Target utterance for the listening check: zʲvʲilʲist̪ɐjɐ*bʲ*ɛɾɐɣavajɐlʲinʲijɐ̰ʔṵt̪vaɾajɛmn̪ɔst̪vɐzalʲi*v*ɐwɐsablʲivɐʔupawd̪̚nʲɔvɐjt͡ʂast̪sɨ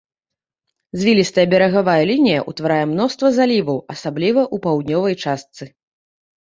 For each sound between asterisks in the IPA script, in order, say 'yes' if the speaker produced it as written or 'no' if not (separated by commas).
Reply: yes, yes